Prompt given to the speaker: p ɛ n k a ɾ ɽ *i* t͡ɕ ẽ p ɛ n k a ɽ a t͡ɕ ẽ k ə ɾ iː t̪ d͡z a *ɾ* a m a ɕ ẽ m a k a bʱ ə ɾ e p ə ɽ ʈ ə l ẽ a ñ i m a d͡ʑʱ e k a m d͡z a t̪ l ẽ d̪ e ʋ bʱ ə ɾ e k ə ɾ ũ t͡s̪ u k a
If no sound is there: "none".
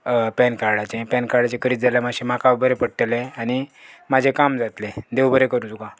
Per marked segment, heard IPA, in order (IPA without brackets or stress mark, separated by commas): a, l